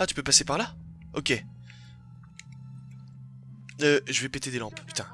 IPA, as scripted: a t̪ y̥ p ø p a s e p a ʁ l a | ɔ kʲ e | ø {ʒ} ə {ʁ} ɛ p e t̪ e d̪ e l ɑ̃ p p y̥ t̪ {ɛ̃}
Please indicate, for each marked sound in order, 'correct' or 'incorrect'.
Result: correct, incorrect, correct

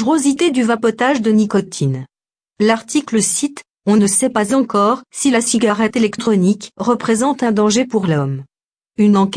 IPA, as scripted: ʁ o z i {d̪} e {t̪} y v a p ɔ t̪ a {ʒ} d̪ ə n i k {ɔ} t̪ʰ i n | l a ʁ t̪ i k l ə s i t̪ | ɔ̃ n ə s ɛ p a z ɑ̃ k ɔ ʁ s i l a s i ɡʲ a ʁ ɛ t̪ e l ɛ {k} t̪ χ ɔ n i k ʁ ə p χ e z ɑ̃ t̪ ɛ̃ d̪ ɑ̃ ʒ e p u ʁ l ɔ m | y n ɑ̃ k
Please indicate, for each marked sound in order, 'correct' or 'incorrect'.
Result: incorrect, incorrect, correct, correct, correct

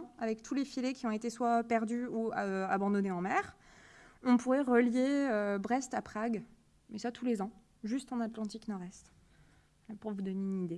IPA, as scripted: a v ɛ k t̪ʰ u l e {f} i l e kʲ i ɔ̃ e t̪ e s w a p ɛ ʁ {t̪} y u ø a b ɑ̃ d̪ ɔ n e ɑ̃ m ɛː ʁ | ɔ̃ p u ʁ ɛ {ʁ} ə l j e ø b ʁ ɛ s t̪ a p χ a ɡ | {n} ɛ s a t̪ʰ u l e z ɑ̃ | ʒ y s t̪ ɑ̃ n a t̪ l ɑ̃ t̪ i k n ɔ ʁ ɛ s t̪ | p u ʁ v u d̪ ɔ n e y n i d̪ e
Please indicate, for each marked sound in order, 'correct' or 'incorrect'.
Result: correct, incorrect, correct, incorrect

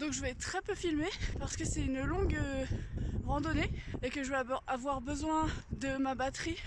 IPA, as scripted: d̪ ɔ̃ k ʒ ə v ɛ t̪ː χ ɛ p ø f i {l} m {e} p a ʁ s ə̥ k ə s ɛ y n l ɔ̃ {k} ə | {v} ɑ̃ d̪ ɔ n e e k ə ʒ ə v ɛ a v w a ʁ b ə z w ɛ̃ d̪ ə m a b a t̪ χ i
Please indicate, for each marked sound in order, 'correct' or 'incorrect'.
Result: correct, correct, incorrect, incorrect

